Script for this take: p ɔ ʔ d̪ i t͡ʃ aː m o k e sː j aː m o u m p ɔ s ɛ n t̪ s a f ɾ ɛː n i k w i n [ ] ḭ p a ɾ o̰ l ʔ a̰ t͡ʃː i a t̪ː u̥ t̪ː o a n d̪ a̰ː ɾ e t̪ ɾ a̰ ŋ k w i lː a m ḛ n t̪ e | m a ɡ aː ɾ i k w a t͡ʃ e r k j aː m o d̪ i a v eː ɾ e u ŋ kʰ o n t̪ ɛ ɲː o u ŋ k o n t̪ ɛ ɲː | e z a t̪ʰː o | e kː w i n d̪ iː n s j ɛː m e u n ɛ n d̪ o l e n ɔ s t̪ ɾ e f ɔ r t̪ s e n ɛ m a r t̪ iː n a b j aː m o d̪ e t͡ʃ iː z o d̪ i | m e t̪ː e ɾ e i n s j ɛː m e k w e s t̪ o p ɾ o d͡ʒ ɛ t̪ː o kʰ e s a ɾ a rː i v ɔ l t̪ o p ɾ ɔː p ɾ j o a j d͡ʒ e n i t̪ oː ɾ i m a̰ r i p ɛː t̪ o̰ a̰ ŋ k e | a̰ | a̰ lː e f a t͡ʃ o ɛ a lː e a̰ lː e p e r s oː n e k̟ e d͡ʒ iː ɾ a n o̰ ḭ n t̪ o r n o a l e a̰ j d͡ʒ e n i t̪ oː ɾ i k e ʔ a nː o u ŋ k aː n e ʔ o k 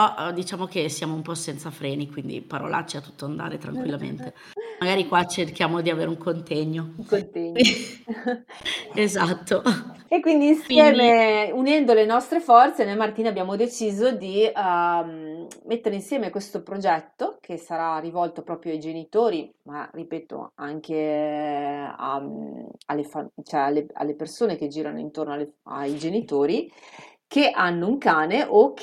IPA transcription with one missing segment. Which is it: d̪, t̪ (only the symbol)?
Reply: d̪